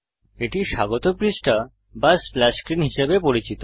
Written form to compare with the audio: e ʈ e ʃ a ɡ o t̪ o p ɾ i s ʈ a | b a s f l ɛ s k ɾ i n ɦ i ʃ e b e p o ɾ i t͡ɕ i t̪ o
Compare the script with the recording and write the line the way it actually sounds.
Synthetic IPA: e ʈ i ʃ a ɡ o t̪ o p ɾ i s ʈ a | b a s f l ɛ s k ɾ i n ɦ i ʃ e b e p o ɾ i t͡ɕ i t̪ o